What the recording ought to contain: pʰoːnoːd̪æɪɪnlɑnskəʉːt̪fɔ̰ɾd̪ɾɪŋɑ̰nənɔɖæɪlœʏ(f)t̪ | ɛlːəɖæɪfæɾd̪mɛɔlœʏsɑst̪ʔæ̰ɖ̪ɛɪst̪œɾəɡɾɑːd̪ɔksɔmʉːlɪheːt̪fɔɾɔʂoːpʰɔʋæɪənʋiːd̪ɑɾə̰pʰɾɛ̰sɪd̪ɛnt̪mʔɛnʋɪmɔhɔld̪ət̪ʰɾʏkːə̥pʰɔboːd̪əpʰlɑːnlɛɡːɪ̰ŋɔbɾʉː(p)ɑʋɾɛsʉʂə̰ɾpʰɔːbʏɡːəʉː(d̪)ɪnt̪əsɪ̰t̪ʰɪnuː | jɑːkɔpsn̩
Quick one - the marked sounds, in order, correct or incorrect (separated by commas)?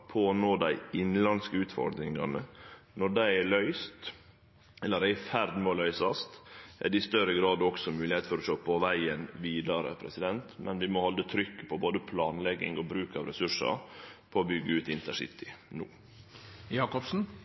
incorrect, incorrect, incorrect